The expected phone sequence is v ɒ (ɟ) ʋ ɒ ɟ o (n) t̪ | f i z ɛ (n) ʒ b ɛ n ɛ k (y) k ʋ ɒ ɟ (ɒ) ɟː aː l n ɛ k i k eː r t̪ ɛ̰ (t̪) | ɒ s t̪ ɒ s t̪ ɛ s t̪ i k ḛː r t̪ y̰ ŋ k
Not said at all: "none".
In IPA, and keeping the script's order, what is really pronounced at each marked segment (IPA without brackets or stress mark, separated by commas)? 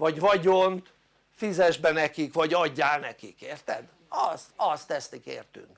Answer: ɟ, n, none, i, ɒ, d̪